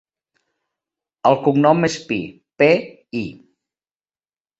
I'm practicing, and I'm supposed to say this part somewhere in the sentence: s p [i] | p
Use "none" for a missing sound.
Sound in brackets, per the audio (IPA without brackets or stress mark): i